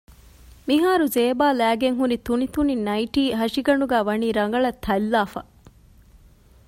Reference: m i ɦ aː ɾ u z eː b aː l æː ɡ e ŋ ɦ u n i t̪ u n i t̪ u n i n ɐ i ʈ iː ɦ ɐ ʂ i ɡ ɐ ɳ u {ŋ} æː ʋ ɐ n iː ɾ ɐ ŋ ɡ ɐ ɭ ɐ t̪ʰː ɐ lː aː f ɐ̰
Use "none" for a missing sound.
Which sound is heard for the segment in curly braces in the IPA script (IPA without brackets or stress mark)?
ɡ